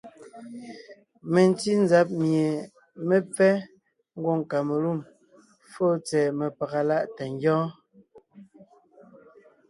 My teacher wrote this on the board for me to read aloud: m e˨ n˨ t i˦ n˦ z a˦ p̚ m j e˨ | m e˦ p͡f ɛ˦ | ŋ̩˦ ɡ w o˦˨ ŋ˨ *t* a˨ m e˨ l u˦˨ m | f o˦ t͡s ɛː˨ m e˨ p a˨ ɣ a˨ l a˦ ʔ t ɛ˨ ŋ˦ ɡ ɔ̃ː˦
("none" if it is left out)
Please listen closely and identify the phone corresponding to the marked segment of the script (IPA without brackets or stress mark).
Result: k